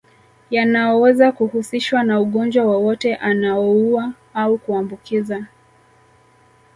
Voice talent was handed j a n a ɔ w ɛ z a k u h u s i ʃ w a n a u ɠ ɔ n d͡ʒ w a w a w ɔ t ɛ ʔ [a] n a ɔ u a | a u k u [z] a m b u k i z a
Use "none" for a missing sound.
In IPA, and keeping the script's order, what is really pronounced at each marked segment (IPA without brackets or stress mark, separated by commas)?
a, none